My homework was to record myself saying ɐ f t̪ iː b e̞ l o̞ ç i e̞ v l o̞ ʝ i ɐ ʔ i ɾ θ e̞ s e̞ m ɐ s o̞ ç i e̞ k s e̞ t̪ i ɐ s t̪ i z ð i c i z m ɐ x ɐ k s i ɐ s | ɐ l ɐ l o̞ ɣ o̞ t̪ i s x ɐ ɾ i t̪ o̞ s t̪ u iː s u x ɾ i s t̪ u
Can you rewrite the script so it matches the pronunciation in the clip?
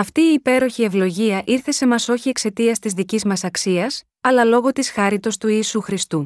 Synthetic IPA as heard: ɐ f t̪ iː p e̞ ɾ o̞ ç i e̞ v l o̞ ʝ i ɐ ʔ i ɾ θ e̞ s e̞ m ɐ s o̞ ç i e̞ k s e̞ t̪ i ɐ s t̪ i z ð i c i z m ɐ s ɐ k s i ɐ s | ɐ l ɐ l o̞ ɣ o̞ t̪ i s x ɐ ɾ i t̪ o̞ s t̪ u iː s u x ɾ i s t̪ u